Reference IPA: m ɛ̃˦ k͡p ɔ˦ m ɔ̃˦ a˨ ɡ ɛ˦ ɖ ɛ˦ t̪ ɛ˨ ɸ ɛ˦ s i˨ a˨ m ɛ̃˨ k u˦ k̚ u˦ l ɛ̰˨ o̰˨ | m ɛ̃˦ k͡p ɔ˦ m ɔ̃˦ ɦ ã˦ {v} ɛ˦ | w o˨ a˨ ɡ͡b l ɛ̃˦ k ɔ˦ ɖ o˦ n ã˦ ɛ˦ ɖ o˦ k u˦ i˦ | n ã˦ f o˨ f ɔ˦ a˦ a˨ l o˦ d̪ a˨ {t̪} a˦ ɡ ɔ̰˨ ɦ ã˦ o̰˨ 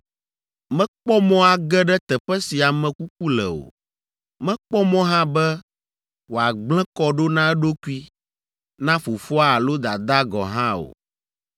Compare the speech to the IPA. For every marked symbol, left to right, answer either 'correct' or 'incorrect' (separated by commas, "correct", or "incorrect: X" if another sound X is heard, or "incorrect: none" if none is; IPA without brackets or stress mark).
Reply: incorrect: b, incorrect: d̪